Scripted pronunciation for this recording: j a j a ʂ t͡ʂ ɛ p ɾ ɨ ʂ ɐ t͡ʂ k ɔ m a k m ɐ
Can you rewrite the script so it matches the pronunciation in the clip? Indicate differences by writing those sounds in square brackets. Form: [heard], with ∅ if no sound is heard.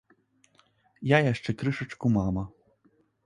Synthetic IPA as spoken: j a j a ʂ t͡ʂ ɛ [k] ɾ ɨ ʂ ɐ t͡ʂ k [u] m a [∅] m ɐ